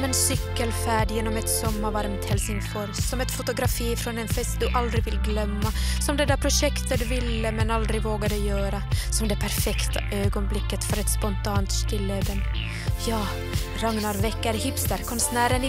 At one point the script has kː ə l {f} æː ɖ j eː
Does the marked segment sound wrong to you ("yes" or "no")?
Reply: no